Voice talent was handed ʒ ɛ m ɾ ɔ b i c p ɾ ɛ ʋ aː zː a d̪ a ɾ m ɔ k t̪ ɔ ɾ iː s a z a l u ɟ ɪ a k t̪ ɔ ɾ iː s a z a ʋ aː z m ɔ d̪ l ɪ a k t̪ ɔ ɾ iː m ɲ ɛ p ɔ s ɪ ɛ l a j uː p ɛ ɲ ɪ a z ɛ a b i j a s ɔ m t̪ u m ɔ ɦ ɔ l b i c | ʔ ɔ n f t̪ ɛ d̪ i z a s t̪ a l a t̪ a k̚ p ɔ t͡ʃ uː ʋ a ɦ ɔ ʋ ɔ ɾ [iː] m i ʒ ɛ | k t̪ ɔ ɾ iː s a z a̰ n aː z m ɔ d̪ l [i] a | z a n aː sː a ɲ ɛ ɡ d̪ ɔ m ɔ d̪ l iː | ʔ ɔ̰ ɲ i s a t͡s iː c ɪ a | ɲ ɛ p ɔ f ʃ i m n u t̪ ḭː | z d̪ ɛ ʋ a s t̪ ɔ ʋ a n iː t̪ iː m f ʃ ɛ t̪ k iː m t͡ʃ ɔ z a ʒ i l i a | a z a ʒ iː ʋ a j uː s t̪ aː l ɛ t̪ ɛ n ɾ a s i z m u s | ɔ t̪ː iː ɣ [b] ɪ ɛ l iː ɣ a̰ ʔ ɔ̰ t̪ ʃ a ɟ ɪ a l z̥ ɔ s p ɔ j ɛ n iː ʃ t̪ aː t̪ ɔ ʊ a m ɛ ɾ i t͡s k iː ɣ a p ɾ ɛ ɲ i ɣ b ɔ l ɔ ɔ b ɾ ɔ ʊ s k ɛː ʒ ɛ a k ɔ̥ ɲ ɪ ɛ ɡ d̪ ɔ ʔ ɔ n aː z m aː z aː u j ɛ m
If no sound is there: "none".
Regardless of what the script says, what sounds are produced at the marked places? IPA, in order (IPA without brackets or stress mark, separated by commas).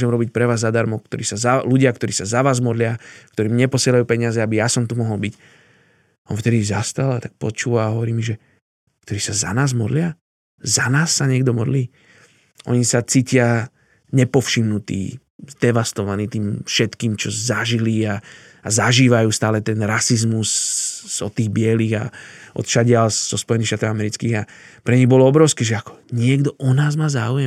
iː, ɪ, b